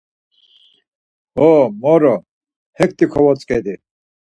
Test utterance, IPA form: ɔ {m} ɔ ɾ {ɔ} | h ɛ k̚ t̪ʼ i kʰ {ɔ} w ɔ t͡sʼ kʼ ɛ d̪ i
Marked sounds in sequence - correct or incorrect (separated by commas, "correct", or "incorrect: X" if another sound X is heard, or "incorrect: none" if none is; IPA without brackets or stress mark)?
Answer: correct, correct, correct